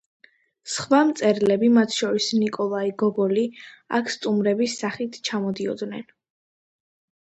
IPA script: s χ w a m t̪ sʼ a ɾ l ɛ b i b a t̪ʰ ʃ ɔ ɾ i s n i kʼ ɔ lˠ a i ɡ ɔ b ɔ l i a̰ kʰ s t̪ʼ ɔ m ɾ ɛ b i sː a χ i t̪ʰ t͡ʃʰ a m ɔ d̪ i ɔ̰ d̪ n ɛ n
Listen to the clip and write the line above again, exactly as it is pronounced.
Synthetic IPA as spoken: s χ w a m t̪ sʼ ɛ ɾ l ɛ b i m a t̪ʰ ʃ ɔ ɾ i s n i kʼ ɔ lˠ a i ɡ ɔ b ɔ l i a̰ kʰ s t̪ʼ u m ɾ ɛ b i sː a χ i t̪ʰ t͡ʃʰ a m ɔ d̪ i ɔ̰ d̪ n ɛ n